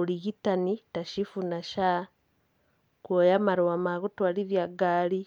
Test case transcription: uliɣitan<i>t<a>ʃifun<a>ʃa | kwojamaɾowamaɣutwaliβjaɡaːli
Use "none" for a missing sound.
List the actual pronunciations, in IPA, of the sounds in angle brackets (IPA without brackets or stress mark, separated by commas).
i, a, a